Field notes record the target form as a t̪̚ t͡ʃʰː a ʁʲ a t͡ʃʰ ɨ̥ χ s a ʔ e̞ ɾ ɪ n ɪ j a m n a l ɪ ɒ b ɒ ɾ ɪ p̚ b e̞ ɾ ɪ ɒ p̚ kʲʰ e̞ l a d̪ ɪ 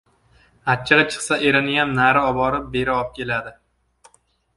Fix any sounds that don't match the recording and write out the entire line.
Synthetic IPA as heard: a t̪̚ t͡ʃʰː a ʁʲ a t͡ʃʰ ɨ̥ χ s a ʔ e̞ ɾ ɪ n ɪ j a m n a ɾ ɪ ɒ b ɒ ɾ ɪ p̚ b e̞ ɾ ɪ ɒ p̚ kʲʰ e̞ l a d̪ ɪ